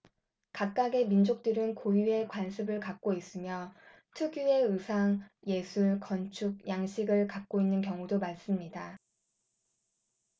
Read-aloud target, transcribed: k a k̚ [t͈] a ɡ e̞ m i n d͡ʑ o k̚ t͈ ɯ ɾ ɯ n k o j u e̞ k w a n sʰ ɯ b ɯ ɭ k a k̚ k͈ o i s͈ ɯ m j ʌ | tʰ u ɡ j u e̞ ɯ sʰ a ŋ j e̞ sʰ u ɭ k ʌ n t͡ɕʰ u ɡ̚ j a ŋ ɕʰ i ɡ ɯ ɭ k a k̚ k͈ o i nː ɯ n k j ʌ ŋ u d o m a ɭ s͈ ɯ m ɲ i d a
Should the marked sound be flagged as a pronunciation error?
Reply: yes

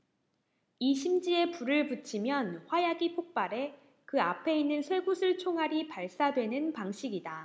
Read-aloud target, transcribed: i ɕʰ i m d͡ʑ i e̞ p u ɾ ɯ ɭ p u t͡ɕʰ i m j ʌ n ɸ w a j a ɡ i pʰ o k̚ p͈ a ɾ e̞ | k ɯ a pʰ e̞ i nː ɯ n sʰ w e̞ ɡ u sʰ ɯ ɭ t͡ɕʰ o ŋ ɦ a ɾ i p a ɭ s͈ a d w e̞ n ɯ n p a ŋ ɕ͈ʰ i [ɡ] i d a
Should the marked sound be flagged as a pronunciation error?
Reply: no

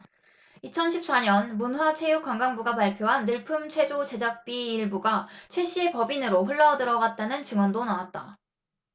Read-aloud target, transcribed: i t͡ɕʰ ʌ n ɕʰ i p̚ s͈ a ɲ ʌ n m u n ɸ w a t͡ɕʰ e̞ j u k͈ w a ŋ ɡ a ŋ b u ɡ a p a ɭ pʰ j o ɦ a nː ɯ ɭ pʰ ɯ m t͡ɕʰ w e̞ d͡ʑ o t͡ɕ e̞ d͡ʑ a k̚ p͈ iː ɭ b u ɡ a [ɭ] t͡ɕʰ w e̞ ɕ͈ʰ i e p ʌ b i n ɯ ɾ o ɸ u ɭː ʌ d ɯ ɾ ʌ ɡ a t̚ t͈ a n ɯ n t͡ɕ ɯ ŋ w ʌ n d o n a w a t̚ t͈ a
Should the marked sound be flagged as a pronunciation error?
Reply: yes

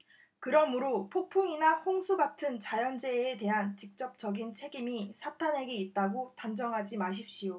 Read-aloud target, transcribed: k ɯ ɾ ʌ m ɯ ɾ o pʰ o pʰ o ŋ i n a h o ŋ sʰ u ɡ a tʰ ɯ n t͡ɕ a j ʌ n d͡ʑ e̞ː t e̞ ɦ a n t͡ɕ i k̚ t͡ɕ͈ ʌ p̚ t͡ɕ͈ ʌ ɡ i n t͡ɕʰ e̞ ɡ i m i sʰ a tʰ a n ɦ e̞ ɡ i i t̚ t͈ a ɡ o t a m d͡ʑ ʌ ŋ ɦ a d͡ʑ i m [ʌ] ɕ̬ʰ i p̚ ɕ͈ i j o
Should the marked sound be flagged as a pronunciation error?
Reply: yes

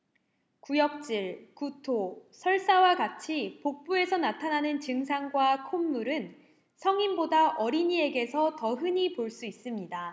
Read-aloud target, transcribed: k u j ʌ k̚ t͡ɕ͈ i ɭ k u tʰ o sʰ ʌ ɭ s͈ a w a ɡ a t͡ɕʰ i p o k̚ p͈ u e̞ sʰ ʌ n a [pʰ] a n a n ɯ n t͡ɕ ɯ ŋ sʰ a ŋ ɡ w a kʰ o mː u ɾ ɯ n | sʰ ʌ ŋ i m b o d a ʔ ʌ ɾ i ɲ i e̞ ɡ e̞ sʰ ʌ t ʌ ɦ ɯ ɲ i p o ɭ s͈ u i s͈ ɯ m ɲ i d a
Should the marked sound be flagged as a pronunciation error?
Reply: yes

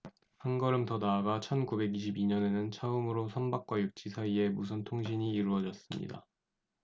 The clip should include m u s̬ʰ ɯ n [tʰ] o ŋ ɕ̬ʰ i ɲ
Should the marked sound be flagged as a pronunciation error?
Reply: no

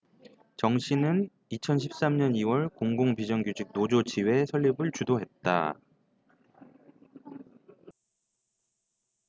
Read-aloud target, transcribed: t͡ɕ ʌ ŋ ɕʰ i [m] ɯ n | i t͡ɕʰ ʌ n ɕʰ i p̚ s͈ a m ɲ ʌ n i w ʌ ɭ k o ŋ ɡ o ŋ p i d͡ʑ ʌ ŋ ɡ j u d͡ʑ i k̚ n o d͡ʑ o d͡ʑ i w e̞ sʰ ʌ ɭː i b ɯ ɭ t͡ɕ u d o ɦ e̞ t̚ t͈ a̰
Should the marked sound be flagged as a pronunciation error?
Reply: yes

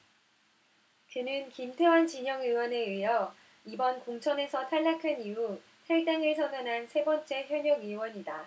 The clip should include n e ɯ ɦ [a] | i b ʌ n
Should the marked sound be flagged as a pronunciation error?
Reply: yes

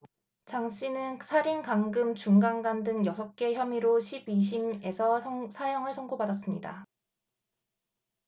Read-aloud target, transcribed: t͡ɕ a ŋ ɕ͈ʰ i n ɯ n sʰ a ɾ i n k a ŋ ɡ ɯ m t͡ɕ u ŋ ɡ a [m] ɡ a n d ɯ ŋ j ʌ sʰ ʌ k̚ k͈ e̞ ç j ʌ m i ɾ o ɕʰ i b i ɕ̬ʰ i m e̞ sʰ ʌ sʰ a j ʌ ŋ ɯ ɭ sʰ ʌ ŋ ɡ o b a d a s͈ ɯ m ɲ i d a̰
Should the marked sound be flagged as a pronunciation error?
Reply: yes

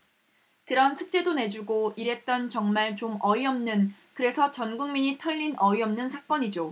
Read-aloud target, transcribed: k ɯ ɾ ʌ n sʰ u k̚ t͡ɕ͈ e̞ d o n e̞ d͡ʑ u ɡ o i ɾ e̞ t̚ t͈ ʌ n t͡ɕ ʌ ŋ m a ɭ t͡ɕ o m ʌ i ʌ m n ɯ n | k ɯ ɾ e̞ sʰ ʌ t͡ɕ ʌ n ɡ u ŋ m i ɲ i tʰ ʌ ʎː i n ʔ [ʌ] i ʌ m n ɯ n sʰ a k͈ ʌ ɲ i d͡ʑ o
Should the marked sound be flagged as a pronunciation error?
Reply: no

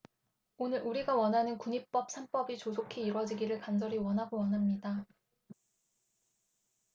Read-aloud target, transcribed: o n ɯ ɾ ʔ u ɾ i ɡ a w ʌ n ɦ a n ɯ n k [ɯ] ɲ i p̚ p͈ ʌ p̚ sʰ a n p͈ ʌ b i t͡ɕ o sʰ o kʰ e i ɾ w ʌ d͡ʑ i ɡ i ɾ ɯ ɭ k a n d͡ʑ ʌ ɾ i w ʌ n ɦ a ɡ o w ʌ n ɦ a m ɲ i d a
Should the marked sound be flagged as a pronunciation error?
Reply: yes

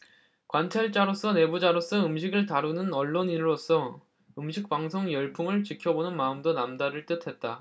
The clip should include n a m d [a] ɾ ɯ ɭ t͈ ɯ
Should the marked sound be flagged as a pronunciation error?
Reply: no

